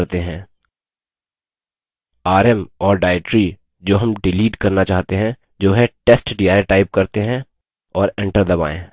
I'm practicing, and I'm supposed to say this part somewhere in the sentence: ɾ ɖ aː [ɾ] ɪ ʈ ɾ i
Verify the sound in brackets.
incorrect: none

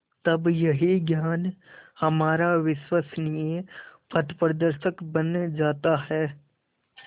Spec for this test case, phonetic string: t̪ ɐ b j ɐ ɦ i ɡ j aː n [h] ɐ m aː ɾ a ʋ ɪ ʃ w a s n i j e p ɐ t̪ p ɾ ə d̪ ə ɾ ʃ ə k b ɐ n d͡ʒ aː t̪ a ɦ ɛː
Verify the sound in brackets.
correct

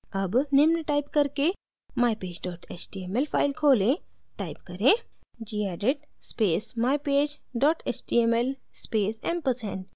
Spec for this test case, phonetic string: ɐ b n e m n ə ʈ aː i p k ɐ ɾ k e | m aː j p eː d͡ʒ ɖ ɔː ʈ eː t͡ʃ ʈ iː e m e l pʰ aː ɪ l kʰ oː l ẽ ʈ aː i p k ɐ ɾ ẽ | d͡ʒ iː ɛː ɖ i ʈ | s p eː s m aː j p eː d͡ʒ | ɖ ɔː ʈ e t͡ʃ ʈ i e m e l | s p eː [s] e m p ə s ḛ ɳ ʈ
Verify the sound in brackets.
correct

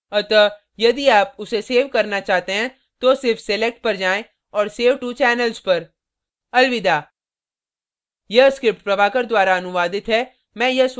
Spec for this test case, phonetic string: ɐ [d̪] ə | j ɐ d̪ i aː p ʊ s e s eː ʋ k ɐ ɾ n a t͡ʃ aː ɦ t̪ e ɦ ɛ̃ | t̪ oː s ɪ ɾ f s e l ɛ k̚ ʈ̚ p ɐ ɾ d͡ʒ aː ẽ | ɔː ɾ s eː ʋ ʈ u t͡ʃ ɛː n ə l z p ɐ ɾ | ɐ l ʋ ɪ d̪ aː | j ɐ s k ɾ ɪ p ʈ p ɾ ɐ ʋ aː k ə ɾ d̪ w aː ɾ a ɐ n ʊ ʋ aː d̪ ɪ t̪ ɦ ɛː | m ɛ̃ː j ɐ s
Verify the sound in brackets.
incorrect: t̪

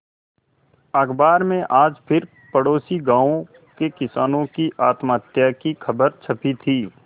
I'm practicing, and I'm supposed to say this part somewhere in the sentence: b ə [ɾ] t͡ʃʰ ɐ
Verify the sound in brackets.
correct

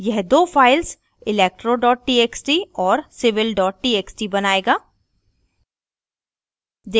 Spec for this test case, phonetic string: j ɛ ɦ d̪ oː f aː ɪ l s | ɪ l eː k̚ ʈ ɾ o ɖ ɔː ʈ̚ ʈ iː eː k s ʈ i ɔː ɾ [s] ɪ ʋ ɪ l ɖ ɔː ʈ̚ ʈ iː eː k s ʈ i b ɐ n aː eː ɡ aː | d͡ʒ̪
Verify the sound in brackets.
correct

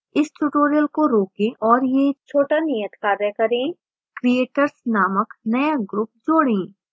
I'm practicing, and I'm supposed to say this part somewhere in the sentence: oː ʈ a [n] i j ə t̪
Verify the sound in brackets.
correct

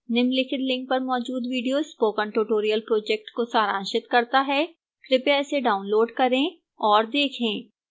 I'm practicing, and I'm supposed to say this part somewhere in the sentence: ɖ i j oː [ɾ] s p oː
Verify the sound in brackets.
incorrect: none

